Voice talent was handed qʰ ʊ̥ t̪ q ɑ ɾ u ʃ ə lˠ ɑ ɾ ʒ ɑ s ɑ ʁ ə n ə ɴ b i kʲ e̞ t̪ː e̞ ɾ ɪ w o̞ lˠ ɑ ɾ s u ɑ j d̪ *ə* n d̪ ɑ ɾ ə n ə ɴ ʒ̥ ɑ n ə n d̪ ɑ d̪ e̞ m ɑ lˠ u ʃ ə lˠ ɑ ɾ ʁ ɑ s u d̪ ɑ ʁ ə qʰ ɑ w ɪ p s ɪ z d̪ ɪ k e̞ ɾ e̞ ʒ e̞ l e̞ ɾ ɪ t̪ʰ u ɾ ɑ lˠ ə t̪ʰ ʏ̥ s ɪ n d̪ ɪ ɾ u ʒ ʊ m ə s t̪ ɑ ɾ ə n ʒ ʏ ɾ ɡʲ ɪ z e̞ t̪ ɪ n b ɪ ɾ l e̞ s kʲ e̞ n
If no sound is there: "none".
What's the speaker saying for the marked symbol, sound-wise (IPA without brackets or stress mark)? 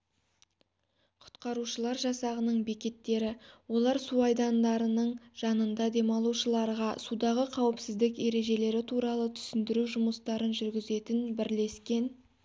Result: ɑ